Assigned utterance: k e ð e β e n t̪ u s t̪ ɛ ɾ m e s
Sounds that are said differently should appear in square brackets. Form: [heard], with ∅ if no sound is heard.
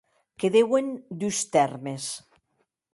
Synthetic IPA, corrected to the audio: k e ð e [w] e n [d̪] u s t̪ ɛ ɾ m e s